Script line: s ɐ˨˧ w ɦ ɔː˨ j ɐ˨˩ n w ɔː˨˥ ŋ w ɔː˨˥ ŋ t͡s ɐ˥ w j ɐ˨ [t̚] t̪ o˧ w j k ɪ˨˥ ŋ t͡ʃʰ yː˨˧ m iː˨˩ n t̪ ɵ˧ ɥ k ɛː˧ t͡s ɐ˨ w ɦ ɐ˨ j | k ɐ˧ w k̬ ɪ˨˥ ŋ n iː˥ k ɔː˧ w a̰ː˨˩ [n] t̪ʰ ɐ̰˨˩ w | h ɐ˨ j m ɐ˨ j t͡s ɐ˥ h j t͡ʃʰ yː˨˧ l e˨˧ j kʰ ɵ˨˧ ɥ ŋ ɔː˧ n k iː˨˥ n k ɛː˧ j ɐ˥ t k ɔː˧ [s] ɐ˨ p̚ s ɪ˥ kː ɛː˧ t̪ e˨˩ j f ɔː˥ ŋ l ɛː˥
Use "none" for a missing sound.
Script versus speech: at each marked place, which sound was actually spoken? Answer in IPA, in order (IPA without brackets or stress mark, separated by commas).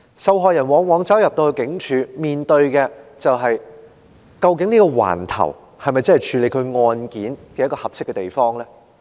p̚, n, h